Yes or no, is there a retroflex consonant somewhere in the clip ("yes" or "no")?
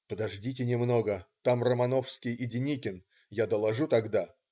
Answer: yes